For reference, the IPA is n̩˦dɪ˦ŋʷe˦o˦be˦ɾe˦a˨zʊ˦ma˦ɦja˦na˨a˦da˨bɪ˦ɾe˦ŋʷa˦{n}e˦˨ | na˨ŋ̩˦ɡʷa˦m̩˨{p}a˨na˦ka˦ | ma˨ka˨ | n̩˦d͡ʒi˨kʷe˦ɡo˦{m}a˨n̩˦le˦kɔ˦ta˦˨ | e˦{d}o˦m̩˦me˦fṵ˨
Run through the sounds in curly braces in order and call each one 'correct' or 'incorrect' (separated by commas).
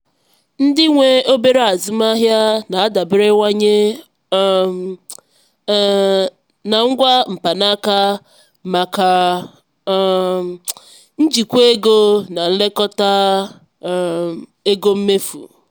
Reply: incorrect, correct, incorrect, incorrect